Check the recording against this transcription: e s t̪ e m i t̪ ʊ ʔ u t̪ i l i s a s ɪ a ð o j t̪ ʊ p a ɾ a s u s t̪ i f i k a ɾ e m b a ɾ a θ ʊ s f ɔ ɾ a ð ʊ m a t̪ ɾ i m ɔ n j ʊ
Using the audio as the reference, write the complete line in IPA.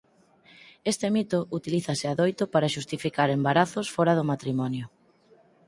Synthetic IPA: e s t̪ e m i t̪ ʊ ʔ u t̪ i l i θ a s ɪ a ð o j t̪ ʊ p a ɾ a ʃ u s t̪ i f i k a ɾ e m b a ɾ a θ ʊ s f ɔ ɾ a ð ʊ m a t̪ ɾ i m ɔ n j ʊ